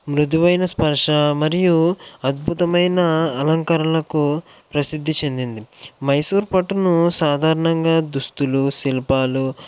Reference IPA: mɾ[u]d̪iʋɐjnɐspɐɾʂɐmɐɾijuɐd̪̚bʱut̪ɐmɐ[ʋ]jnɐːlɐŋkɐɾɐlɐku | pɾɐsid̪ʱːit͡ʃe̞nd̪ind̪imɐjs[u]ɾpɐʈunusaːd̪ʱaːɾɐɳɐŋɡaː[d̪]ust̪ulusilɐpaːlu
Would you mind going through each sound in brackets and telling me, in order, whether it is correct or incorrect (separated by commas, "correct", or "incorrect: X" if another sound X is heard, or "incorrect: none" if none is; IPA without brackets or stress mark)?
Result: correct, incorrect: none, incorrect: uː, correct